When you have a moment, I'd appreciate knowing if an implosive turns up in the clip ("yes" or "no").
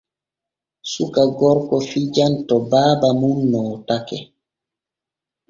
no